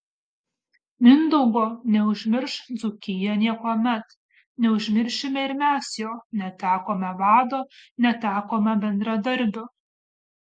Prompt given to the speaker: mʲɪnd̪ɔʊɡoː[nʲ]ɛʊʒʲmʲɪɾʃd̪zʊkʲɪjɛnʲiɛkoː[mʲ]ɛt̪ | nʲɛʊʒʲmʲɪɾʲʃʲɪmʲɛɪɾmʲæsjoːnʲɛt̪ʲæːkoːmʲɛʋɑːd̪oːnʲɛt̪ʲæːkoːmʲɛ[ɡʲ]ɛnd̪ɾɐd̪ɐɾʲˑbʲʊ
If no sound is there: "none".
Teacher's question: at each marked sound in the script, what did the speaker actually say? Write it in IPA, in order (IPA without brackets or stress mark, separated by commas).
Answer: nʲ, mʲ, bʲ